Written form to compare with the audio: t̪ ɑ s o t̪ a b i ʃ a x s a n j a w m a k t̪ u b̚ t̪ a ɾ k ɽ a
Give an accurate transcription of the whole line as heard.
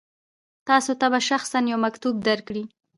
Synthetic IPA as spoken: t̪ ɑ s o t̪ a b a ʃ a x s a n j a w m a k t̪ u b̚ d̪ a ɾ k ɽ i